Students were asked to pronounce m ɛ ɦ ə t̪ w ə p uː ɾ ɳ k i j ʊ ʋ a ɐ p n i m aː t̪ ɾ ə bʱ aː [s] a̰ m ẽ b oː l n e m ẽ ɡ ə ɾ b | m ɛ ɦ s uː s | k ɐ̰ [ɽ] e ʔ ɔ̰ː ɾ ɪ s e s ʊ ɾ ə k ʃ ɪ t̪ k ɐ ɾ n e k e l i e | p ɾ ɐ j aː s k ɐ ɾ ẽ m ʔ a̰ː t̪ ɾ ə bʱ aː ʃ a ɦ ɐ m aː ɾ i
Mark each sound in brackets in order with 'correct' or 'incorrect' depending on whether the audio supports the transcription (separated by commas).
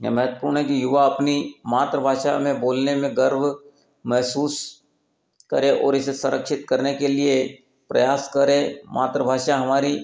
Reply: incorrect, incorrect